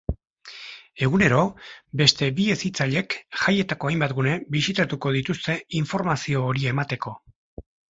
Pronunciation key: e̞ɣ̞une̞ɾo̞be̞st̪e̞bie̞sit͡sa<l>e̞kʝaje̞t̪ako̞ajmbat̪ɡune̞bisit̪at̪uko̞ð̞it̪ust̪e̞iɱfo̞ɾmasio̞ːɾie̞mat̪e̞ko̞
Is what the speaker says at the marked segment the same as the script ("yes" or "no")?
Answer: no